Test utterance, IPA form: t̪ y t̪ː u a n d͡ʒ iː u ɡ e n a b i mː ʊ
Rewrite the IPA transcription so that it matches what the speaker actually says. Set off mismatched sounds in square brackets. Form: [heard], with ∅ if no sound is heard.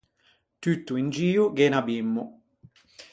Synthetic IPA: t̪ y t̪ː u [i] n d͡ʒ iː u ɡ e n a b i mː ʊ